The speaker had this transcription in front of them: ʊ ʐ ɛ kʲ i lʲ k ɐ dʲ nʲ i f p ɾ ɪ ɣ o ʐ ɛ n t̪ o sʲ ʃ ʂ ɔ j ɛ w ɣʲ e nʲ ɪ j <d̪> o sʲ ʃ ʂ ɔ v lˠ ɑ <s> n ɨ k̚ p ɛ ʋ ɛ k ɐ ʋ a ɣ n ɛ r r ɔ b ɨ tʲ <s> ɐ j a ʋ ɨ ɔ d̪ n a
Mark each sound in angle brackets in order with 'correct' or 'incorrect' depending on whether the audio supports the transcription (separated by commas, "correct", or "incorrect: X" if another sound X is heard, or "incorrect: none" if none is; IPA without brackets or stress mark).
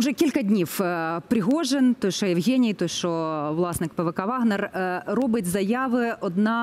incorrect: t̪, correct, incorrect: z